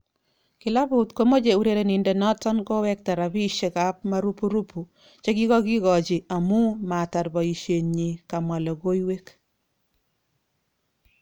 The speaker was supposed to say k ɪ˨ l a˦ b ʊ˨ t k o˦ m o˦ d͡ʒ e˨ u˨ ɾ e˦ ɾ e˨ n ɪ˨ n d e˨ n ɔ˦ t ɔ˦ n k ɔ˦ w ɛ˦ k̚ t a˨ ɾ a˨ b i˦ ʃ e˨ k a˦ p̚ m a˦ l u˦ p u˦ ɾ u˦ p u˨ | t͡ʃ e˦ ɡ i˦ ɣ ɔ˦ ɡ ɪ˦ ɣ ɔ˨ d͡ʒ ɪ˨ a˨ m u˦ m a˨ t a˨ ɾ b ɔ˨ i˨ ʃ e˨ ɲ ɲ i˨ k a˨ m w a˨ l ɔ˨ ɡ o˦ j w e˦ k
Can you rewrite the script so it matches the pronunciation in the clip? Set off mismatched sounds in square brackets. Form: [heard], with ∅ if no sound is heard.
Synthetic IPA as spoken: k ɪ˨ l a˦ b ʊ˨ t k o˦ m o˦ d͡ʒ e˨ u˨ ɾ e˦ ɾ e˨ n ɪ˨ n d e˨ n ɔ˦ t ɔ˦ n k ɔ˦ w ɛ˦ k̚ t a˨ ɾ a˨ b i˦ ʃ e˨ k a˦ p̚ m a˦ [ɾ] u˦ p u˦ ɾ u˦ p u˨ | t͡ʃ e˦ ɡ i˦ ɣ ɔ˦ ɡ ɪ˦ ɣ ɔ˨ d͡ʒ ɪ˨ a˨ m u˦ m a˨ t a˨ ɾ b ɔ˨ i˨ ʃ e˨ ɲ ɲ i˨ k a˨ m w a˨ l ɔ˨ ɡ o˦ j w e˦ k